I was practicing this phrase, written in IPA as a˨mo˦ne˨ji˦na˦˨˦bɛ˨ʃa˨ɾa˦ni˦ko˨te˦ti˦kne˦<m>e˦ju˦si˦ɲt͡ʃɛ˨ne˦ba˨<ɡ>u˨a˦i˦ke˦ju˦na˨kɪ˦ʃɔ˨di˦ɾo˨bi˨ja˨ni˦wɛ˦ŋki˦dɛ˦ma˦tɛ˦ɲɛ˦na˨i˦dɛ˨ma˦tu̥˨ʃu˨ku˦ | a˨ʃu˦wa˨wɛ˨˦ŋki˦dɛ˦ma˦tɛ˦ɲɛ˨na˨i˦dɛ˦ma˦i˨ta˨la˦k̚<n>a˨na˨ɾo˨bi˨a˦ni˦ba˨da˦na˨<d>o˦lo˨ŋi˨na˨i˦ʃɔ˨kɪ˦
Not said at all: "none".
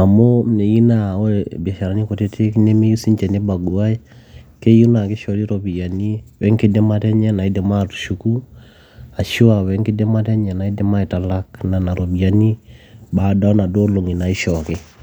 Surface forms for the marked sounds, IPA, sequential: m, ɡ, n, d

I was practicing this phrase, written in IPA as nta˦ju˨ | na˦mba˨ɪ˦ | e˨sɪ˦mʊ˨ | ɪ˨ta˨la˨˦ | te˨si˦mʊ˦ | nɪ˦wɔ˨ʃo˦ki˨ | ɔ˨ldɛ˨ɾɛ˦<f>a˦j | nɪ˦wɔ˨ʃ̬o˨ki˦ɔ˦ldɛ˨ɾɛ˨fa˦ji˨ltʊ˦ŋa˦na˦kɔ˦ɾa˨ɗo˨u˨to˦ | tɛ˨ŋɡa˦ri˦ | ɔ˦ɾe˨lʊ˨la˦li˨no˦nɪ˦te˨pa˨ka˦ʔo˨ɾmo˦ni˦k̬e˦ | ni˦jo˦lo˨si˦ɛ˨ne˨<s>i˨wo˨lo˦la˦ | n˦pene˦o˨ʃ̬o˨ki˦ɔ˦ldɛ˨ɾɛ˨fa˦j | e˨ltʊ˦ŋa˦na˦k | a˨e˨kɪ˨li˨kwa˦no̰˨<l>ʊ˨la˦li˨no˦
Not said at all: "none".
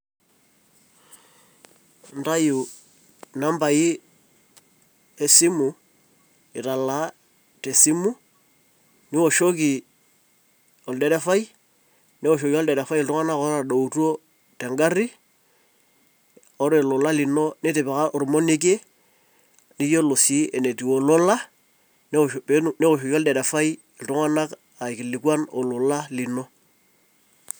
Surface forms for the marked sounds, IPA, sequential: f, t, l

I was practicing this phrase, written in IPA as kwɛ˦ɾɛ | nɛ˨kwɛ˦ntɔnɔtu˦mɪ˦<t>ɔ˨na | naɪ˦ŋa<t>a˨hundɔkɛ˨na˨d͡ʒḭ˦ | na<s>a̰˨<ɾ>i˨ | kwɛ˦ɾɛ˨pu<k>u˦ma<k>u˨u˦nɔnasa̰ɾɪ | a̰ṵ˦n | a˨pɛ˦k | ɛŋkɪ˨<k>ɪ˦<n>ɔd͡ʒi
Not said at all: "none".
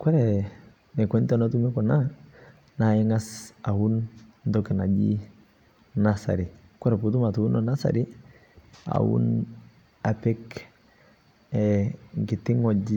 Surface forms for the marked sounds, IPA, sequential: k, s, s, ɾ, t, t, t, ŋ

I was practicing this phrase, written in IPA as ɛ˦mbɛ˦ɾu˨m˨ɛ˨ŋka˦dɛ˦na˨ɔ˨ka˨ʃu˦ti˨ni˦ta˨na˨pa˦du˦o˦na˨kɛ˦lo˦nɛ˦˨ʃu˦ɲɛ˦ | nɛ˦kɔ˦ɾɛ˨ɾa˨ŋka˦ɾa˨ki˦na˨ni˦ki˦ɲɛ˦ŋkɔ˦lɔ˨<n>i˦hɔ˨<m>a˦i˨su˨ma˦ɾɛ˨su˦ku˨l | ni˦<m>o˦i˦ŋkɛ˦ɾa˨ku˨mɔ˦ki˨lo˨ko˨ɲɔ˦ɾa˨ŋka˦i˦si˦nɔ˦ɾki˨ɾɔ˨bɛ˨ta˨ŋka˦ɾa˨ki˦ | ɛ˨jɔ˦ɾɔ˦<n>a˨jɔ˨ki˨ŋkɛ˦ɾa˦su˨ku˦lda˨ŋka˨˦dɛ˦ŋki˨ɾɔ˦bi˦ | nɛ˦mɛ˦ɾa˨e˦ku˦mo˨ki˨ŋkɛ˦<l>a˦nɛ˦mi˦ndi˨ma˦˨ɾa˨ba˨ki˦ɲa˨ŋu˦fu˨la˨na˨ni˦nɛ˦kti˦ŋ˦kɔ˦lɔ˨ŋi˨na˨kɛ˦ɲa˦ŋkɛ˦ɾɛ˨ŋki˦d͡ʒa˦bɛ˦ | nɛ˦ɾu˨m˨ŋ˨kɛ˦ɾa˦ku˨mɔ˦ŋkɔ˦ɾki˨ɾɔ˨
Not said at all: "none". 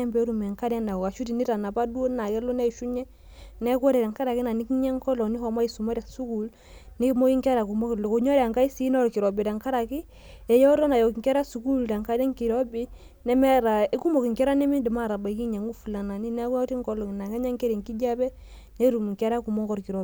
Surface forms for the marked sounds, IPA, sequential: n, m, m, n, ɾ

